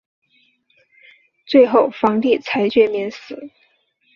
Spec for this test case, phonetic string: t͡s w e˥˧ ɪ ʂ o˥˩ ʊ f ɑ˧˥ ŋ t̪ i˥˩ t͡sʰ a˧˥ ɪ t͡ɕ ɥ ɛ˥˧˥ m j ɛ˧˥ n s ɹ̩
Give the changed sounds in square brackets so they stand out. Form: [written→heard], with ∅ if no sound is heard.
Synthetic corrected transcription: t͡s w e˥˧ ɪ [ʂ→x] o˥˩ ʊ f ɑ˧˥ ŋ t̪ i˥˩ t͡sʰ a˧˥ ɪ t͡ɕ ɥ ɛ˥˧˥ m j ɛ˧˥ n s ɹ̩